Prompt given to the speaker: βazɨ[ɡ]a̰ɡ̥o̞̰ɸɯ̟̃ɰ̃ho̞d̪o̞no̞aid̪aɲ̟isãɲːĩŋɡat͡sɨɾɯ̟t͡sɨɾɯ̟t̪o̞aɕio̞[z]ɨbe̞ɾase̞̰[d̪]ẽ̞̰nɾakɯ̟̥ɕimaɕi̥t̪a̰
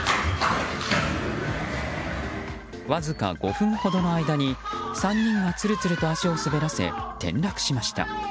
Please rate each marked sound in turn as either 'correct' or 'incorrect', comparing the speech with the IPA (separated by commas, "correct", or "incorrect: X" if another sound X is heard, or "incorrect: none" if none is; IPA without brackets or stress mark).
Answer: incorrect: k, incorrect: s, incorrect: t̪